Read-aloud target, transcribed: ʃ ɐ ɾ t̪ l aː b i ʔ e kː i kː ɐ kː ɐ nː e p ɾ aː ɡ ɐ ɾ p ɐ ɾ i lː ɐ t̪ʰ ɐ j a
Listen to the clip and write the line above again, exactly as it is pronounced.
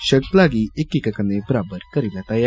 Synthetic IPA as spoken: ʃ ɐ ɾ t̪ l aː ɡ i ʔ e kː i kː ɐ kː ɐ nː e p ɾ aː b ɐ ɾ k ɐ ɾ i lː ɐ t̪ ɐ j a